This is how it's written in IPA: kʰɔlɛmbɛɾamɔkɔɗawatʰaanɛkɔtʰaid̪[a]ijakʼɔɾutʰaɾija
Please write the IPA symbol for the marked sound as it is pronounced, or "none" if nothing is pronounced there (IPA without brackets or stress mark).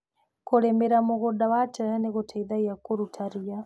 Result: a